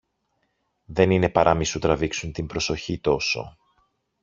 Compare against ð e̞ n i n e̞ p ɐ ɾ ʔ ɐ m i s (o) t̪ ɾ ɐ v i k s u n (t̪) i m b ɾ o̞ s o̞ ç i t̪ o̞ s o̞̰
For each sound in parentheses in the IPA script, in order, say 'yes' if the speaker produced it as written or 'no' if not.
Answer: no, yes

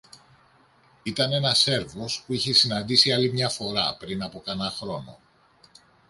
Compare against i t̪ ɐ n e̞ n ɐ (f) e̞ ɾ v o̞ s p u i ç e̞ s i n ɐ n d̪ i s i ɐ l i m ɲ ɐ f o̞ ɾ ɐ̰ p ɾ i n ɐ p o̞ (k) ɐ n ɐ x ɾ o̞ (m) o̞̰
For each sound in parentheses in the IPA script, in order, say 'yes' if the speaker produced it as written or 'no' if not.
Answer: no, yes, no

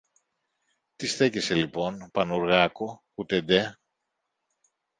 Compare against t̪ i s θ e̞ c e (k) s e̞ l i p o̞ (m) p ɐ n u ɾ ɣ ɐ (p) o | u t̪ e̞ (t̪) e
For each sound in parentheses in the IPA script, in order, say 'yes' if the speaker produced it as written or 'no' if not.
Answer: no, no, no, no

